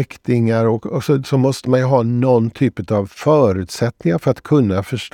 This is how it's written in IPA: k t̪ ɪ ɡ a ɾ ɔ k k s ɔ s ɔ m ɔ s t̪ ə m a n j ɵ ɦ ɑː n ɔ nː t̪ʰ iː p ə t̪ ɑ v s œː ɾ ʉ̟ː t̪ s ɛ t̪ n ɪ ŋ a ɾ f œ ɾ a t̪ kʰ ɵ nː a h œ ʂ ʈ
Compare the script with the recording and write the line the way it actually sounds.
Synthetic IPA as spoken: k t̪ ɪ ŋ a ɾ ɔ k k s ɔ s ɔ m ɔ s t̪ ə m a n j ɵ ɦ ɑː n ɔ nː t̪ʰ yː p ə t̪ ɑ v f œː ɾ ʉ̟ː t̪ s ɛ t̪ n ɪ ŋ a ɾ f œ ɾ a t̪ kʰ ɵ nː a f œ ʂ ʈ